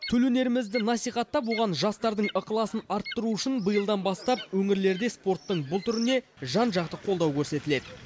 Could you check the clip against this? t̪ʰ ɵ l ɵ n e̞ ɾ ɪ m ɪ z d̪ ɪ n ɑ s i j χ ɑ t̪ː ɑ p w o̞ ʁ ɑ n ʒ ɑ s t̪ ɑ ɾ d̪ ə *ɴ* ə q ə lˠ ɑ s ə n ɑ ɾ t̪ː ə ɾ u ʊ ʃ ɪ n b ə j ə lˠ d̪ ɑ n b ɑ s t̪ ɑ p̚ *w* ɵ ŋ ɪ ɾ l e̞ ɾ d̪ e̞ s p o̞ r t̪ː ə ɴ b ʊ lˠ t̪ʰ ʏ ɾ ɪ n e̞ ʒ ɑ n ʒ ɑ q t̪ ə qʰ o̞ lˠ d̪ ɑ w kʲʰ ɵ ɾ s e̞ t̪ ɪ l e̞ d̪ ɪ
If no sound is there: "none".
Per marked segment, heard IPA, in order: ɴ, w

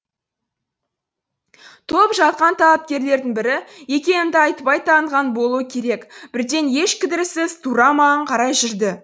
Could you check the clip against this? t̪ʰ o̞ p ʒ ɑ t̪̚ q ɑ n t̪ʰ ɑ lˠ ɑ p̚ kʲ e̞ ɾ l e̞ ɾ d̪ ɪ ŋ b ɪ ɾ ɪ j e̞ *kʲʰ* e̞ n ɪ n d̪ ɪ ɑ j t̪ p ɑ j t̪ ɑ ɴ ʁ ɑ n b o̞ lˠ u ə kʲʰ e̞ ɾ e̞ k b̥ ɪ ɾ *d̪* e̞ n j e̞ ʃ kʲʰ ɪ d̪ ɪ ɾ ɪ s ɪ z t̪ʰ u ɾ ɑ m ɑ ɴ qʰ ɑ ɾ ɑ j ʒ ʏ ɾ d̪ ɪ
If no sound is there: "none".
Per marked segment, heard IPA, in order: kʲ, d̪

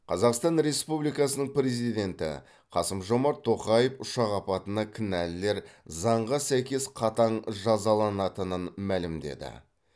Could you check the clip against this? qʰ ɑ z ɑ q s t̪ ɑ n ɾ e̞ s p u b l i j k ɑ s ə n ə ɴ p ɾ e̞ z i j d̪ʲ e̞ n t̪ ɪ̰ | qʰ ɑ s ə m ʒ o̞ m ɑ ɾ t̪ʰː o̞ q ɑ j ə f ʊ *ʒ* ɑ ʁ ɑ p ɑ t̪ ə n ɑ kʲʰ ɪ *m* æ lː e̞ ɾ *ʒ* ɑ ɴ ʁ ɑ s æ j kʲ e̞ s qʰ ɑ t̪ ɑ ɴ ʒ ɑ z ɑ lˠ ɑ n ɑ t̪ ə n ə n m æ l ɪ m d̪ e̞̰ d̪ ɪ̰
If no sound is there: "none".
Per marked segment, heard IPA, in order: ʃ, n, z

